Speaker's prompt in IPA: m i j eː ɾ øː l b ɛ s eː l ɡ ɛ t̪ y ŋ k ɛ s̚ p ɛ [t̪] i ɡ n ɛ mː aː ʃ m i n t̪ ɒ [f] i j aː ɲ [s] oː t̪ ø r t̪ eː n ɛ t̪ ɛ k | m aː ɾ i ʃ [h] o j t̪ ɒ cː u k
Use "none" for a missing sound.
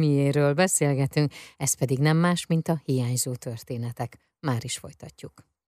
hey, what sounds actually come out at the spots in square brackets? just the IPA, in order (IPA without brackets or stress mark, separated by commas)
d̪, h, z, f